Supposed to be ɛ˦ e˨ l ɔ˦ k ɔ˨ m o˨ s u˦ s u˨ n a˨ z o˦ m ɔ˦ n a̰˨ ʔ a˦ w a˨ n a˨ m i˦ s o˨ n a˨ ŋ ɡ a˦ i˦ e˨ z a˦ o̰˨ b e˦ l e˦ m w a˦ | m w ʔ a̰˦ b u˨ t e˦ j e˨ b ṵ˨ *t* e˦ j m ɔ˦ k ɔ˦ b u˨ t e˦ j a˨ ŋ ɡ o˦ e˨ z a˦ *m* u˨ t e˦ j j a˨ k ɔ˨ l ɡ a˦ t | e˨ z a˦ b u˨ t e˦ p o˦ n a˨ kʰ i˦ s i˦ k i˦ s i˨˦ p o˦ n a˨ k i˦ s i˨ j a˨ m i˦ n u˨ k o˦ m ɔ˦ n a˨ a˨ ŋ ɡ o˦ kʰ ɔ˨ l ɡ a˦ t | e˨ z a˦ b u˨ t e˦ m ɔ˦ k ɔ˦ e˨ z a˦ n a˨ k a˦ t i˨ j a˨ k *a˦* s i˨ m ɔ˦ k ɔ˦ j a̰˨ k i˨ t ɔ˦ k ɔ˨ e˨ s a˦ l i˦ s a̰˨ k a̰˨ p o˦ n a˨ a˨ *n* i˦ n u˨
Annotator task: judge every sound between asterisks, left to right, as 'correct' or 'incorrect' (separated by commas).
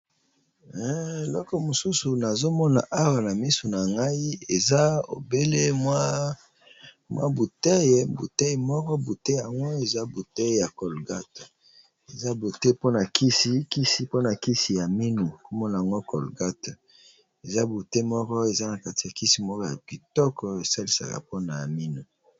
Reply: correct, incorrect, incorrect, incorrect